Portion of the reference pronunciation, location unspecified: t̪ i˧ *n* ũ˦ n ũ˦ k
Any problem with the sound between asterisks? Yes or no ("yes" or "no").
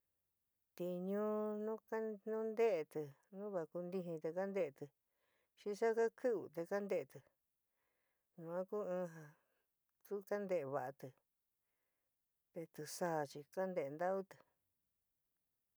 yes